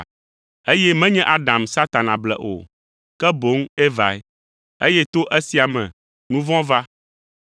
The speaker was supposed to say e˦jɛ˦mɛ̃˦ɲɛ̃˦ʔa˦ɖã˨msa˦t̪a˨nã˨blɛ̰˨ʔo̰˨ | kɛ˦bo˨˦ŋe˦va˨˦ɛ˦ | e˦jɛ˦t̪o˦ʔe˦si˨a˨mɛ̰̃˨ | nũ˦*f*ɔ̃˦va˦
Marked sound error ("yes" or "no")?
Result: yes